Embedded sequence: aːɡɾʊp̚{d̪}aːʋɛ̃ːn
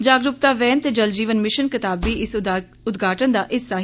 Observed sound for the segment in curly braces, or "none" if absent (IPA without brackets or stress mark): t̪